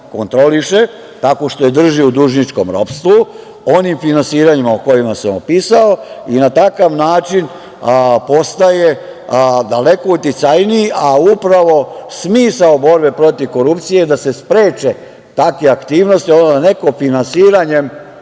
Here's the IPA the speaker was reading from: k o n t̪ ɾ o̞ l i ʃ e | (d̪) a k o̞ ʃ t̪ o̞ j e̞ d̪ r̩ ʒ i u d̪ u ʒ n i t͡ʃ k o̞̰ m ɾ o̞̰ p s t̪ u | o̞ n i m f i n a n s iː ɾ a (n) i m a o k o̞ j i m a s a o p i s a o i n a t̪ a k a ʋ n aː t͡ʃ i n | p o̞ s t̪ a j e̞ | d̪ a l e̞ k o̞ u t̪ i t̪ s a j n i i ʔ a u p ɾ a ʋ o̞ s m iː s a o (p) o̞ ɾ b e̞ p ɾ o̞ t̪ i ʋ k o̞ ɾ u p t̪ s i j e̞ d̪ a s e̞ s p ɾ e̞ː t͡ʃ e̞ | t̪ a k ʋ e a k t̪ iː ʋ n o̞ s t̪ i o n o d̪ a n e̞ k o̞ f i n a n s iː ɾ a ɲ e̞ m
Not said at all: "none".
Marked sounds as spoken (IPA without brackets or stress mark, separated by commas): t̪, ɲ, b